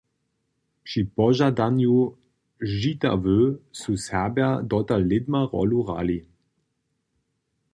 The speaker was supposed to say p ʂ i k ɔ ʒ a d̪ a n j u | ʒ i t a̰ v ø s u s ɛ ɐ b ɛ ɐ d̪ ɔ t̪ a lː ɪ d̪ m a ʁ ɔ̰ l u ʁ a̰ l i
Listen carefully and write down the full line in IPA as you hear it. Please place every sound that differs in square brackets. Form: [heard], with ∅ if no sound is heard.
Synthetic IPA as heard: p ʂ i [p] ɔ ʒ a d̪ a n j u | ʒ i t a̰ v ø s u s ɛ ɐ b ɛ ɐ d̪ ɔ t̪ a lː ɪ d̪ m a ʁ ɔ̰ l u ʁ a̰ l i